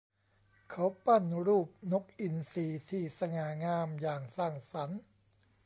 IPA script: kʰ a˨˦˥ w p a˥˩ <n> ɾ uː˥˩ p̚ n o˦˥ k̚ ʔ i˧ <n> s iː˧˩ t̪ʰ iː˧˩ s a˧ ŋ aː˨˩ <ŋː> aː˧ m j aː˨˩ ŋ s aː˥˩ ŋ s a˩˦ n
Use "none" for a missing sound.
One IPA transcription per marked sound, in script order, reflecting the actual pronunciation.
n, n, ŋ

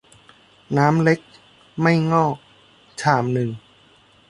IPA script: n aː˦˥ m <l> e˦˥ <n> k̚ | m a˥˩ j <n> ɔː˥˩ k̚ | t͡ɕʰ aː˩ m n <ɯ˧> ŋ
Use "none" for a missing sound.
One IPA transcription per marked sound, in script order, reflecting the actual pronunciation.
l, none, ŋ, ɯ˨˩

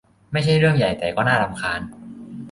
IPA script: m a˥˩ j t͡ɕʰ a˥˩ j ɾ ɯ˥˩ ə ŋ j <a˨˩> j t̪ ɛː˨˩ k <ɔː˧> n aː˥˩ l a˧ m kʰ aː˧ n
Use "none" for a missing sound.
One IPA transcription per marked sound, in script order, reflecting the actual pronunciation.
a˨˩, ɔː˥˩

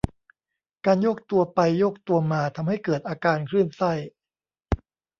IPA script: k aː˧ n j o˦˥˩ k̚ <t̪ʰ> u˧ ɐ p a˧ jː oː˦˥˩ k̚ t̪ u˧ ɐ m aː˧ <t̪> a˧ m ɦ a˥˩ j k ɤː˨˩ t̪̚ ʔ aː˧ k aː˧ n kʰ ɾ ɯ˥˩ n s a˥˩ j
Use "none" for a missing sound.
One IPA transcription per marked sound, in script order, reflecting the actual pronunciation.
t̪, t̪ʰ

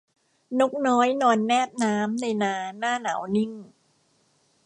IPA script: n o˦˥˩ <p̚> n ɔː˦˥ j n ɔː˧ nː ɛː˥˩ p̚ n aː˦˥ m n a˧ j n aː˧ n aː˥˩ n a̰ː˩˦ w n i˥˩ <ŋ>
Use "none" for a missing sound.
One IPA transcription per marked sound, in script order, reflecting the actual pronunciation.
k̚, ŋ

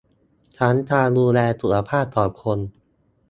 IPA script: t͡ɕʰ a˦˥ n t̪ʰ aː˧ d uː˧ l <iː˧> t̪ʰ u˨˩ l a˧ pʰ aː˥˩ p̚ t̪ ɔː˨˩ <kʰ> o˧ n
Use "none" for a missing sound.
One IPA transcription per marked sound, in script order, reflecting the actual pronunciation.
ɛː˧, kʰ

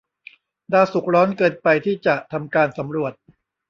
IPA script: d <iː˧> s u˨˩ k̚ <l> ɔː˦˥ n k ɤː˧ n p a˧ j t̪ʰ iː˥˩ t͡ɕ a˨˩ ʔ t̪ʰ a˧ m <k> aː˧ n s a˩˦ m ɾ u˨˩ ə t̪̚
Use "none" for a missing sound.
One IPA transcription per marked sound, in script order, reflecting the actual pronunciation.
aː˧, ɾ, k

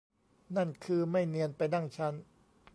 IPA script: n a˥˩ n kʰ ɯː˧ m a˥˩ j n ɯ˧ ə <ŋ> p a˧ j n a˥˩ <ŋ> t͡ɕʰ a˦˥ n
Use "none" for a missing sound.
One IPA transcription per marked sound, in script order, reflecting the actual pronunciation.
n, ŋ

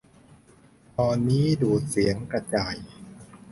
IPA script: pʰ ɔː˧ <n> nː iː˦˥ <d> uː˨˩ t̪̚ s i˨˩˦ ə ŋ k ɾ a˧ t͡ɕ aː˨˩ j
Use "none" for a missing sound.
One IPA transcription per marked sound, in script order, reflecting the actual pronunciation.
n, d

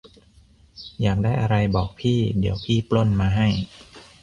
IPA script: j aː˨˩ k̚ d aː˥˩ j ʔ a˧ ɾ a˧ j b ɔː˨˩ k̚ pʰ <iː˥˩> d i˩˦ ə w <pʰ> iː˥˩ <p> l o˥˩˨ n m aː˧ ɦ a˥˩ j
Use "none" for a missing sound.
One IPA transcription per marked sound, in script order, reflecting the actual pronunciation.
iː˥˩, pʰ, p

